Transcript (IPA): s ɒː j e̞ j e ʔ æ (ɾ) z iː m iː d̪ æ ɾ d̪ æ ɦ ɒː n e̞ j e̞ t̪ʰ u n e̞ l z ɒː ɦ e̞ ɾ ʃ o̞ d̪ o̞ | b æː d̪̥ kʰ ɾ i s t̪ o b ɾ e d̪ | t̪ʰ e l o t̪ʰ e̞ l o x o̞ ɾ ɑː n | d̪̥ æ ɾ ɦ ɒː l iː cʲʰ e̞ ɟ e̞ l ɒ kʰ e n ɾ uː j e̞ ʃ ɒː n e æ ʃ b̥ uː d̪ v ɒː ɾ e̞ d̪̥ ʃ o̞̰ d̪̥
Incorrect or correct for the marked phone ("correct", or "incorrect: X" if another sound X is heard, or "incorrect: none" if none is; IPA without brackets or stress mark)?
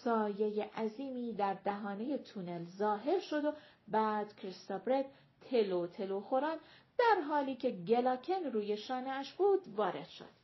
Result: incorrect: none